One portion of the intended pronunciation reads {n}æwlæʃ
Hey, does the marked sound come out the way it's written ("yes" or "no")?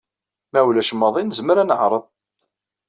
no